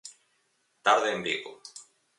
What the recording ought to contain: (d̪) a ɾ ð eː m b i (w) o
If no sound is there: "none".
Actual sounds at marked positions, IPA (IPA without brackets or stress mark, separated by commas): t̪, ɣ